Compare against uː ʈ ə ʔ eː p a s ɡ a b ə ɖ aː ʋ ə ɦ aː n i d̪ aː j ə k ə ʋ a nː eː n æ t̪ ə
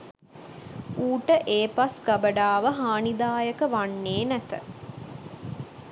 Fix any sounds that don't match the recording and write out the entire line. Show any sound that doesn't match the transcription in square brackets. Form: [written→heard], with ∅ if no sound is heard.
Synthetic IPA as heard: uː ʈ ə ʔ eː p a s ɡ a b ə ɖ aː ʋ ə ɦ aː n i d̪ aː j ə k ə ʋ a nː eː n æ t̪ ə